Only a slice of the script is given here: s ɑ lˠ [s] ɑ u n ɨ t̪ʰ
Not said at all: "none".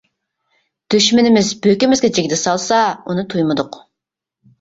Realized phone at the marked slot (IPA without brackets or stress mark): s